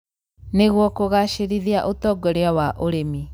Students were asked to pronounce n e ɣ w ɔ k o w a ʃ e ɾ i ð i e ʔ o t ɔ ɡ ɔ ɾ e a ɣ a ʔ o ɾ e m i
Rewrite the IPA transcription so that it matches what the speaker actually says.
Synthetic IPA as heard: n e ɣ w ɔ k o ɣ a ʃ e ɾ i ð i a ʔ o t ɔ ɡ ɔ ɾ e a w a ʔ o ɾ e m i